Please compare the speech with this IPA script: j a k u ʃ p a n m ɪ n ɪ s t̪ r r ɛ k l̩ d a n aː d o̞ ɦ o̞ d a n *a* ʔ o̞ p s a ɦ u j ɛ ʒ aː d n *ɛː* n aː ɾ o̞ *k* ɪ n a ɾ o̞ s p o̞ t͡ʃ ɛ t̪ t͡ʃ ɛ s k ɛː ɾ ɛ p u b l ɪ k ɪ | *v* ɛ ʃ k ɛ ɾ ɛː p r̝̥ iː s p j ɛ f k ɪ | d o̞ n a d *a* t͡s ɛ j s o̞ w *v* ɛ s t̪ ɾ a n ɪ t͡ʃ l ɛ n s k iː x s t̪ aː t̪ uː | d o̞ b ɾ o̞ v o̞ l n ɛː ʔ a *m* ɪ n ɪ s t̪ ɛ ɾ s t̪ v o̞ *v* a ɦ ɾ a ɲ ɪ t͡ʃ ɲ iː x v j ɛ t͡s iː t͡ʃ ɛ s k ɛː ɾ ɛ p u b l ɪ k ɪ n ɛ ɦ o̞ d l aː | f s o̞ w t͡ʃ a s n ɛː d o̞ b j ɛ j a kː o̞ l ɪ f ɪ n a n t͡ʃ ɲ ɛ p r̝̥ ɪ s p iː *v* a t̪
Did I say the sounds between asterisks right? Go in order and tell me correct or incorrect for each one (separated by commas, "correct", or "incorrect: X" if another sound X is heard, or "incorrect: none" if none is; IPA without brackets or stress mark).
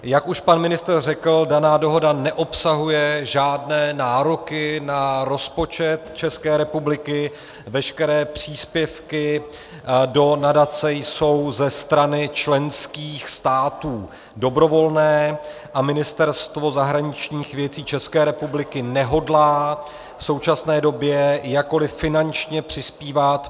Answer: incorrect: ɛ, correct, correct, correct, correct, incorrect: z, correct, incorrect: z, correct